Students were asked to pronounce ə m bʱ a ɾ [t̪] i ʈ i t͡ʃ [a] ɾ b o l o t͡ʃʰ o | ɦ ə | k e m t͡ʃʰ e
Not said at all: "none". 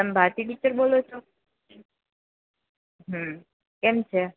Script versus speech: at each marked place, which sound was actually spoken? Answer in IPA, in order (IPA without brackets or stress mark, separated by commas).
t̪, ə